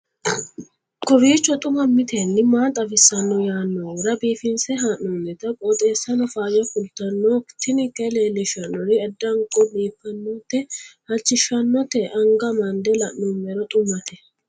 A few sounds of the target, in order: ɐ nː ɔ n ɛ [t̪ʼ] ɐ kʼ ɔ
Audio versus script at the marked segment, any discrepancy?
yes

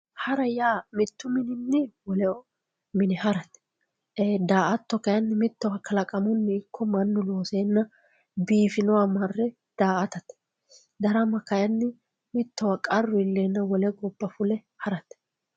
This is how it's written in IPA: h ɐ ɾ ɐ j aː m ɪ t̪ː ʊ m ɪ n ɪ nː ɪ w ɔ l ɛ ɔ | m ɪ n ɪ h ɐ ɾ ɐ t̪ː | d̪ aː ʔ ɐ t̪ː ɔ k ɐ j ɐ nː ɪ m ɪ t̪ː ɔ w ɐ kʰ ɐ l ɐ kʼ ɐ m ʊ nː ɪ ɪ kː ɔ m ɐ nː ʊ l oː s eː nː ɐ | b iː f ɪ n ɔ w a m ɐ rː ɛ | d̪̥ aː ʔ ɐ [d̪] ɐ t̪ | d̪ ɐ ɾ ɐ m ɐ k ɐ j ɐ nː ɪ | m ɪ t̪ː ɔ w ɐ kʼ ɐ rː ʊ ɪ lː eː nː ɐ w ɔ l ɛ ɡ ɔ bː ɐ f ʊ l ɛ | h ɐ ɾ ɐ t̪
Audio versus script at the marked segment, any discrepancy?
yes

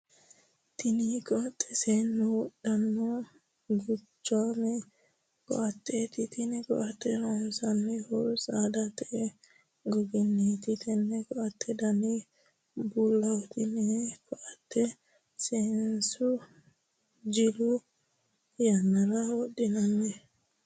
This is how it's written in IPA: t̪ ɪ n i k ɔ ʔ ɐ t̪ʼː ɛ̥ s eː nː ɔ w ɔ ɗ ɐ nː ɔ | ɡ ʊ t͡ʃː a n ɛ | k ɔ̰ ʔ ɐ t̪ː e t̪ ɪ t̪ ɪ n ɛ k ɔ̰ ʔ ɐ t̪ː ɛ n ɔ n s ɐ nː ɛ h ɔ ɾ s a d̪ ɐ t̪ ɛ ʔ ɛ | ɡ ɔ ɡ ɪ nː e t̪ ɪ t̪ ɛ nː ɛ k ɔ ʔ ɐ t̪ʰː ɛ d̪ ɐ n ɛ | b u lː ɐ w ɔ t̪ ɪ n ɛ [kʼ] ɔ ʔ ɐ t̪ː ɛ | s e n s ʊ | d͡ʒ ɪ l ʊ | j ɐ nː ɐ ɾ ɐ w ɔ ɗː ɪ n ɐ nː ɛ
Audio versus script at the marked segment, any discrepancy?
yes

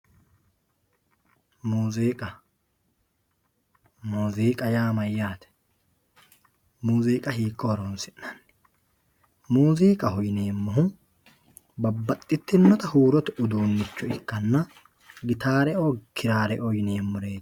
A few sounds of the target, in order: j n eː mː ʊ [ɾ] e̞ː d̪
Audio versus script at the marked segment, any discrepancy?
no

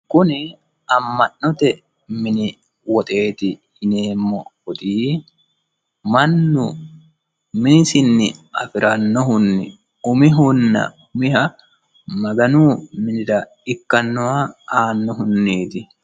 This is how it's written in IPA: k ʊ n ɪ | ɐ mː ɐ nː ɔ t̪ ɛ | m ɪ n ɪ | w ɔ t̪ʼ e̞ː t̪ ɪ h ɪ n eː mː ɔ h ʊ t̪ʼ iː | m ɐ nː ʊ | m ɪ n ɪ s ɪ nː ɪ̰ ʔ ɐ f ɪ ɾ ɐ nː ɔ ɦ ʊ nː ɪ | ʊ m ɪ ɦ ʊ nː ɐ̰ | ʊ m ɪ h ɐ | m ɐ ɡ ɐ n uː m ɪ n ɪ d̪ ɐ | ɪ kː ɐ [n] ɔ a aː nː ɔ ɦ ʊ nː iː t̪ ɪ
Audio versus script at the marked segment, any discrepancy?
yes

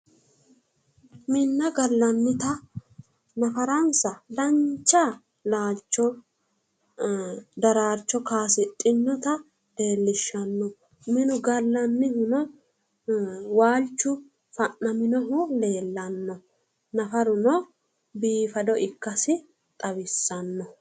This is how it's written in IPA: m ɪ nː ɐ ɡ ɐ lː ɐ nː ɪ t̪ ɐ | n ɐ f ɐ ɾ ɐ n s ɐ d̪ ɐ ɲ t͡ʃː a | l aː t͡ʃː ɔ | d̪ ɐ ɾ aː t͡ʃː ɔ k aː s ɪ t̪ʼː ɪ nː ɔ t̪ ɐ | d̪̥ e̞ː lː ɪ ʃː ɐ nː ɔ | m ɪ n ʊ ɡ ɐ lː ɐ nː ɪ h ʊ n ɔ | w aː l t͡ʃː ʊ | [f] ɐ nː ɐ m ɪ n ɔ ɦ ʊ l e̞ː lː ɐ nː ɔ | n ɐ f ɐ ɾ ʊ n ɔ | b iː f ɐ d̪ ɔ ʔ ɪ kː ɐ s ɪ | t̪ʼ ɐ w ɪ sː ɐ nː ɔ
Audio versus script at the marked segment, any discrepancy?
no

